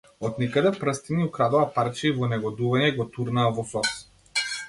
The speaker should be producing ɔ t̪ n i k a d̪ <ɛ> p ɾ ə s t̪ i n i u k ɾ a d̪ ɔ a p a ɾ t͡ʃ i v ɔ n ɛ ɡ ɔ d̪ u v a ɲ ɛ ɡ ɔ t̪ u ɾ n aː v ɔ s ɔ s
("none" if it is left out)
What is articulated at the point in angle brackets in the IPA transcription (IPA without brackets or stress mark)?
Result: ɛ